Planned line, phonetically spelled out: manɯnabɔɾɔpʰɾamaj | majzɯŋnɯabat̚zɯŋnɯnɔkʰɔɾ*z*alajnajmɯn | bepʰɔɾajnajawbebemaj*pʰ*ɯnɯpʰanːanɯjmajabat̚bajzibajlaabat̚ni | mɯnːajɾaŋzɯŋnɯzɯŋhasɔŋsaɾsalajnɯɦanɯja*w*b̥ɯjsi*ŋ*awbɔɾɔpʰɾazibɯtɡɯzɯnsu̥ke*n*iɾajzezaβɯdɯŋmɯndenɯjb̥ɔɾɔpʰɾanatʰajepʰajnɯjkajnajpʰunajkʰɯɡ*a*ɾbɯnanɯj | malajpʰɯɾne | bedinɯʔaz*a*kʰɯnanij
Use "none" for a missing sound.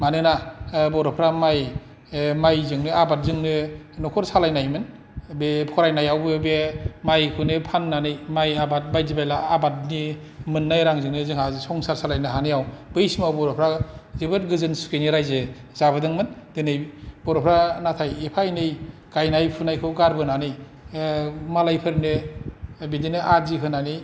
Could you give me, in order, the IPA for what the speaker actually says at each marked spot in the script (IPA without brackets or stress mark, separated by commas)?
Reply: s, kʰ, w, m, n, a, i